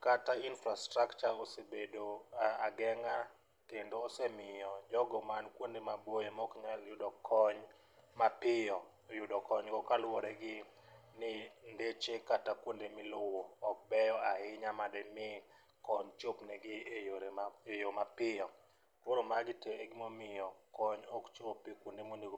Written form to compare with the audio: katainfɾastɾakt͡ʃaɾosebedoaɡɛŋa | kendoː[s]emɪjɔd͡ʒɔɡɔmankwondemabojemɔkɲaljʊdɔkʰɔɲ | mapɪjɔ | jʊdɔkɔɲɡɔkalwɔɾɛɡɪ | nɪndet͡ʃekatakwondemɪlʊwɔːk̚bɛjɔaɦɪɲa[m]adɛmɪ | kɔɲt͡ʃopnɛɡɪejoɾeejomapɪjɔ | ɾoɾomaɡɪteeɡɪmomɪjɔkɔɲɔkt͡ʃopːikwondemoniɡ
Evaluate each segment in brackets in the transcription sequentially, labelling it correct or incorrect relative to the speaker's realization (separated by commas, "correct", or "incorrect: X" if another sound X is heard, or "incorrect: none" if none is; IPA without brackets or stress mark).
correct, correct